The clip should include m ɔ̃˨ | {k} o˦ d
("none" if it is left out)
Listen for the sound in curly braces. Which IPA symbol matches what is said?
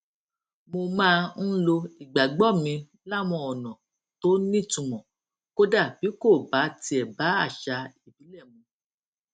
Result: k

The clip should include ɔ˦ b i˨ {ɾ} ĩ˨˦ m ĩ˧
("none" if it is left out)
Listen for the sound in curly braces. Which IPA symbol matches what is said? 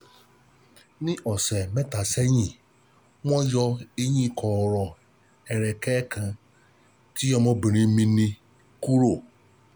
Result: ɾ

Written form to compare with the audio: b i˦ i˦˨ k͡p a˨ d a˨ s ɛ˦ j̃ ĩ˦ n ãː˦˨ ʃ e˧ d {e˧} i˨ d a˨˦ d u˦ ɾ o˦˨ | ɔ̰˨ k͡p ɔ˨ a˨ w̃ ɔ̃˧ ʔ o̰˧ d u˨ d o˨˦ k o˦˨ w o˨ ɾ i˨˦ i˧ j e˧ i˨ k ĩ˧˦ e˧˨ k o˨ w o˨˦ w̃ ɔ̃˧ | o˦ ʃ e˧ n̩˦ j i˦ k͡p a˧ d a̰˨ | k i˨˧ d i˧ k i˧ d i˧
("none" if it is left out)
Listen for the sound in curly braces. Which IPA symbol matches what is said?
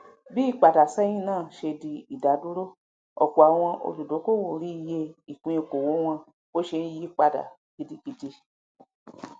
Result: i˧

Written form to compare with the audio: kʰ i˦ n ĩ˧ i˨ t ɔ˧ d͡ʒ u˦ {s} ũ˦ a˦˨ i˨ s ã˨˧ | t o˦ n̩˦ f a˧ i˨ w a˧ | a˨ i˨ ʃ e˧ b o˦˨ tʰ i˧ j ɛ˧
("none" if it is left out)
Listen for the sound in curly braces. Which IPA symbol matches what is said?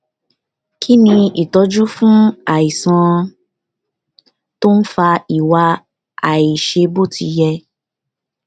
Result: f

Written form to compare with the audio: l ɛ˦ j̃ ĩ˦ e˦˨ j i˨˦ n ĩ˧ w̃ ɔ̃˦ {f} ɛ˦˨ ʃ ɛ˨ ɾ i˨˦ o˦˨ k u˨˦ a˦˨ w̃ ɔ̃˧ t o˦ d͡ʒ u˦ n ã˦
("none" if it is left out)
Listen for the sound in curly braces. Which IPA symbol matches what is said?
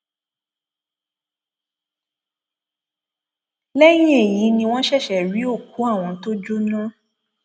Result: ʃ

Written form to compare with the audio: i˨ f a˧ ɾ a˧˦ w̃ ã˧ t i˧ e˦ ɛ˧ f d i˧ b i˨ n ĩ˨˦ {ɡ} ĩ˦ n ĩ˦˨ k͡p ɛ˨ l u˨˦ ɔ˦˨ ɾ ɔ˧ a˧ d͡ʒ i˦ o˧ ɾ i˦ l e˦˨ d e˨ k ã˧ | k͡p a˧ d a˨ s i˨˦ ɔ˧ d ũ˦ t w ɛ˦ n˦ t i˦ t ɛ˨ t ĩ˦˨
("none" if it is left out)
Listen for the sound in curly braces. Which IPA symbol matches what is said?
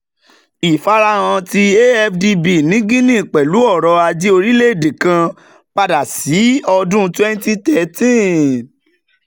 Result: ɡ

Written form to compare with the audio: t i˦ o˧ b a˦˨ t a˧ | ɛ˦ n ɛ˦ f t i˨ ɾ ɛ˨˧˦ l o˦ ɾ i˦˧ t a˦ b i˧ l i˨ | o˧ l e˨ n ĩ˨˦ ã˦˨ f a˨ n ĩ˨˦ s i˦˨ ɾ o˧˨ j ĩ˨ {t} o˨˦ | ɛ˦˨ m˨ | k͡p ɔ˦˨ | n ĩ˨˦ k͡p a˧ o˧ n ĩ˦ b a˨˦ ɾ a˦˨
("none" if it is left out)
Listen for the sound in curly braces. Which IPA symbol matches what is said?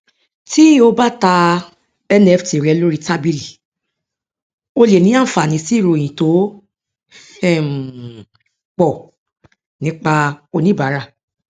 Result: t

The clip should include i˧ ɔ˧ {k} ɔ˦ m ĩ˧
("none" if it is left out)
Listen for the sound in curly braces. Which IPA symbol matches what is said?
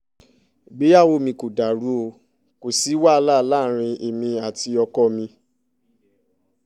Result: k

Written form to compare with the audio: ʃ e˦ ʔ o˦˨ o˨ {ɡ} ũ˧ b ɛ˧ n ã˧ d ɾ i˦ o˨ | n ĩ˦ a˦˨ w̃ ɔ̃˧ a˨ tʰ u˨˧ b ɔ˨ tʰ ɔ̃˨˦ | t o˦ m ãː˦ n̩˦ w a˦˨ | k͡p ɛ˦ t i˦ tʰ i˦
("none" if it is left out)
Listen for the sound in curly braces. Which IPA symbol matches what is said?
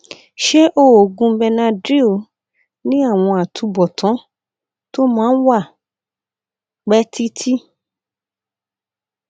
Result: ɡ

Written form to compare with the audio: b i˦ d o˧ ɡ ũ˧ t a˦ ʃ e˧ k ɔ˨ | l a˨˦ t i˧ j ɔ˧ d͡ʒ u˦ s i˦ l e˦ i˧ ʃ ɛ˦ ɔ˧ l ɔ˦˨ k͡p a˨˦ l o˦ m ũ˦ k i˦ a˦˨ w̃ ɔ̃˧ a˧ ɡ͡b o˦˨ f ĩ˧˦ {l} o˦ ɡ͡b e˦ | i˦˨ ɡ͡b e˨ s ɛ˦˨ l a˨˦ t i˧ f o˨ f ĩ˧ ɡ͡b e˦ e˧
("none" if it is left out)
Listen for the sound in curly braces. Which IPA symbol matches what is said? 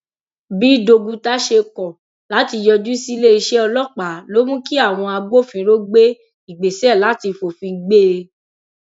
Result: ɾ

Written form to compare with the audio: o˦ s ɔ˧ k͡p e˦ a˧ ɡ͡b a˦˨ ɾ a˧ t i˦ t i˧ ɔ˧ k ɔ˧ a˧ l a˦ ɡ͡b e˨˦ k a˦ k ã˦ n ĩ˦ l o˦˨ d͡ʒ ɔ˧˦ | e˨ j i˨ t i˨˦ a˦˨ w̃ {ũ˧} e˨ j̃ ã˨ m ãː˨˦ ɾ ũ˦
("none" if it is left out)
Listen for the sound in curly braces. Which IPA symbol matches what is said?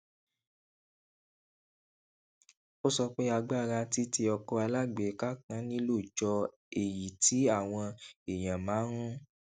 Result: ɔ̃˧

